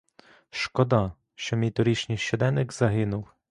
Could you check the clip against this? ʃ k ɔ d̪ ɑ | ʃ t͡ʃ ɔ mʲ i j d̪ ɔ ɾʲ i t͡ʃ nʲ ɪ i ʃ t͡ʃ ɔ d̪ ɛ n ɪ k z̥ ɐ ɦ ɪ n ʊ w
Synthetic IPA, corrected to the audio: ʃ k ɔ d̪ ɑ | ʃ t͡ʃ ɔ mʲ i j t̪ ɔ ɾʲ i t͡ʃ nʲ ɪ j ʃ t͡ʃ ɔ d̪ ɛ n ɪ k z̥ ɐ ɦ ɪ n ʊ w

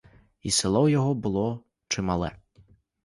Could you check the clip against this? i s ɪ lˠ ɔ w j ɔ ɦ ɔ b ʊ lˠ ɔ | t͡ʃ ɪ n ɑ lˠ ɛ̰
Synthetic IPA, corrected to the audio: i s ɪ lˠ ɔ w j ɔ ɦ ɔ b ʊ lˠ ɔ | t͡ʃ ɪ m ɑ lˠ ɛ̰

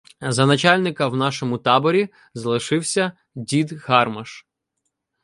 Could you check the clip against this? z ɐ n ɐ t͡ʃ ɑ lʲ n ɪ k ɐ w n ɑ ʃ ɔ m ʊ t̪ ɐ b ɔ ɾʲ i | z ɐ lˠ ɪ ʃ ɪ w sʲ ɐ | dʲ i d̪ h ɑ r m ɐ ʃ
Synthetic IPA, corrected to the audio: z ɐ n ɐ t͡ʃ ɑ lʲ n ɪ k ɐ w n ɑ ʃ ɔ m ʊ t̪ ɑ b ɔ ɾʲ i | z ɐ lˠ ɪ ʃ ɪ w sʲ ɐ | dʲ i d̪ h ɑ r m ɐ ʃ

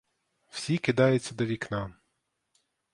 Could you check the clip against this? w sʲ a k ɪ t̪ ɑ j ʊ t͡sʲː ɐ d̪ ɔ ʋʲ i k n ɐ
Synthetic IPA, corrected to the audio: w sʲ i k ɪ d̪ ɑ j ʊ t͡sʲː ɐ d̪ ɔ ʋʲ i k n ɑ

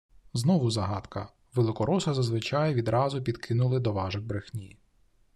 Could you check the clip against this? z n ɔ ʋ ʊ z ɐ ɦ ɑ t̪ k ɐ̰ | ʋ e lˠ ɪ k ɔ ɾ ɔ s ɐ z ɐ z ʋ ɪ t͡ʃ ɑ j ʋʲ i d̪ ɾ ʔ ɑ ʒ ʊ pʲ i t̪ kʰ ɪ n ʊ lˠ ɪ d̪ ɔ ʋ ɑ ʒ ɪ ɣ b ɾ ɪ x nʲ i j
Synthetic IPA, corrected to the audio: z n ɔ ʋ ʊ z ɐ ɦ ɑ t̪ k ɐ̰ | ʋ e lˠ ɪ k ɔ ɾ ɔ s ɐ z ɐ z ʋ ɪ t͡ʃ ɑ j ʋʲ i d̪ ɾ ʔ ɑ z ʊ pʲ i d̪ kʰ ɪ n ʊ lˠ ɪ d̪ ɔ ʋ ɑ ʒ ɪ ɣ b ɾ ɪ x nʲ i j

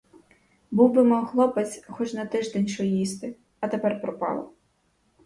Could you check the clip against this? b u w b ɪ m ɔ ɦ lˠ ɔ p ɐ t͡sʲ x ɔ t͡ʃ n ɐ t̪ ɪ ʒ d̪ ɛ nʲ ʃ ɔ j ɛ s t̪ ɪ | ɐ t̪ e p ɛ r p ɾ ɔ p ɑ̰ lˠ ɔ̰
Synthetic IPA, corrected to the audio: b u w b ɪ m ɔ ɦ lˠ ɔ p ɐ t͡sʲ x ɔ t͡ʃ n ɐ t̪ ɪ ʒ d̪ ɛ nʲ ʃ ɔ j i s t̪ ɪ | ɐ t̪ e p ɛ r p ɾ ɔ p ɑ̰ lˠ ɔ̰

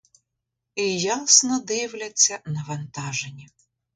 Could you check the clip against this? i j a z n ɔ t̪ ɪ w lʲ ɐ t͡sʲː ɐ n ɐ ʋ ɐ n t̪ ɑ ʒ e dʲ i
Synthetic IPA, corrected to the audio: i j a s n ɔ d̪ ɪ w lʲ ɐ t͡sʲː ɐ n ɐ ʋ ɐ n t̪ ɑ ʒ e nʲ i

